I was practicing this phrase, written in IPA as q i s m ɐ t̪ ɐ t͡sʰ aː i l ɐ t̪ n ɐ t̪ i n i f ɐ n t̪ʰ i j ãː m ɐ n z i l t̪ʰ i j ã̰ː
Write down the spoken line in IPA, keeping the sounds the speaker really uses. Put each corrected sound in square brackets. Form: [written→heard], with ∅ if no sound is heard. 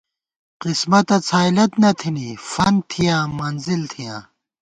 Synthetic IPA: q i s m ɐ t̪ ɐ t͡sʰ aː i l ɐ t̪ n ɐ [t̪→t̪ʰ] i n i f ɐ n t̪ʰ i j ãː m ɐ n z i l t̪ʰ i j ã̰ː